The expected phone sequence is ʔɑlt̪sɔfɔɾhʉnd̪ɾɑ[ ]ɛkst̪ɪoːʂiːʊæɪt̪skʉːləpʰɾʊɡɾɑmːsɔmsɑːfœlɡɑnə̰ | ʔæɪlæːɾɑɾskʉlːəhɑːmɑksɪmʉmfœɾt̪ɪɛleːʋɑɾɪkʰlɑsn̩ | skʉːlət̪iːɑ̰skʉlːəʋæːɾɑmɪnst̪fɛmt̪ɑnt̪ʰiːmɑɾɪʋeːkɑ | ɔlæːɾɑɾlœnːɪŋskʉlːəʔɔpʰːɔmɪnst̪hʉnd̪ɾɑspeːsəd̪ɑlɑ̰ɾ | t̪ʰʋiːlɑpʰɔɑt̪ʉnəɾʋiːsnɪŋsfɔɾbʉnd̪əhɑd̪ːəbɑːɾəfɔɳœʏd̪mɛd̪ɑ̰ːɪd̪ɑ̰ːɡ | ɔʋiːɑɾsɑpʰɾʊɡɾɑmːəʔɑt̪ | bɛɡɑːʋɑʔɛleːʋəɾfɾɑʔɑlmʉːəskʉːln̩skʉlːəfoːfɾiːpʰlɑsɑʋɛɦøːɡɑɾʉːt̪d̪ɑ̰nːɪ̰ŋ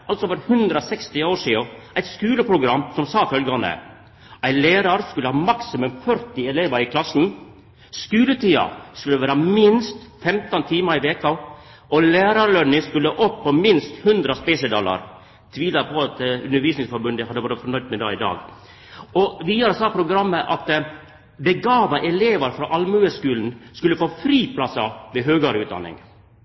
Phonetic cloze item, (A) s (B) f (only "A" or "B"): A